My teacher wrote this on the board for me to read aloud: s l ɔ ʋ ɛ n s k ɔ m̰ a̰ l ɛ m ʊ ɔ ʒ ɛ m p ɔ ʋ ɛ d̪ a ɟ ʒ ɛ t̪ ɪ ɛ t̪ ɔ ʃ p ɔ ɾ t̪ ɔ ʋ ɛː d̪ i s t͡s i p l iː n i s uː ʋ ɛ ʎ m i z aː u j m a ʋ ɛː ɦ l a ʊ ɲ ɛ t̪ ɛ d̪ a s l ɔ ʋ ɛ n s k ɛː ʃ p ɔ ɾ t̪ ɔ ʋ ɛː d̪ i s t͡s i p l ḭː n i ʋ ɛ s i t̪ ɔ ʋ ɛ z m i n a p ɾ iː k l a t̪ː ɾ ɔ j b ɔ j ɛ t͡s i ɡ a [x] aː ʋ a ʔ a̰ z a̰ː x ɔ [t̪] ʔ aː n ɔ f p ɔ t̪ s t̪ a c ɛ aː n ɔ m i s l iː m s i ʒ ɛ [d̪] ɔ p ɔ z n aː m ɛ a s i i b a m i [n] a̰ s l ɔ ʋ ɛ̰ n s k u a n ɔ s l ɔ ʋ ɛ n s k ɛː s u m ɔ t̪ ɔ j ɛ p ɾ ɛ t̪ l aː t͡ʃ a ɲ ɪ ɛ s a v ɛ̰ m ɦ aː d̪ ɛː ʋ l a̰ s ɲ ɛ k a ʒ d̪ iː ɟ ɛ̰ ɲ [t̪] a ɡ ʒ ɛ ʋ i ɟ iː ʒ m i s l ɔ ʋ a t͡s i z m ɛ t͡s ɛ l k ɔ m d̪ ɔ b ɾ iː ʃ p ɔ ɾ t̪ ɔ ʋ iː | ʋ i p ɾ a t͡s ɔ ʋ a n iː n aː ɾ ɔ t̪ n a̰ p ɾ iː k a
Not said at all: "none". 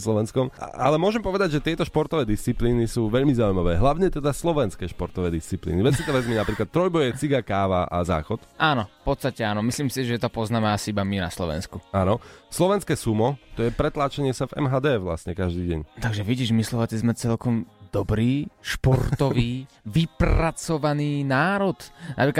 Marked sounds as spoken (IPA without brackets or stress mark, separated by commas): k, t̪, t̪, n, t̪